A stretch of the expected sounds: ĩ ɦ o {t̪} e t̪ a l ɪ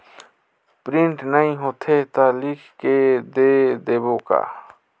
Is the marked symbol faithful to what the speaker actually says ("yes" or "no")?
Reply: no